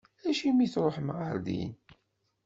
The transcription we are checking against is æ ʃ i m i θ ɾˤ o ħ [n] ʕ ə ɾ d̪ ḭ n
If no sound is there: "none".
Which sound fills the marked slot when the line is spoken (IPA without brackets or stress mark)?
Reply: m